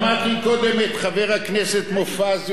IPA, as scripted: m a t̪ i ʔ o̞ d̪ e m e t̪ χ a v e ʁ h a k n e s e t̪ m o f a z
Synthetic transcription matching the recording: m a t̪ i k o̞ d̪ e m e t̪ χ a v e ʁ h a k n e s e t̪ m o f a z